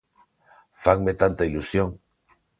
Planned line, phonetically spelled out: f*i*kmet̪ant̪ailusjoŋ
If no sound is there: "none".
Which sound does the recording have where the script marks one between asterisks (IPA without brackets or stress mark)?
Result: a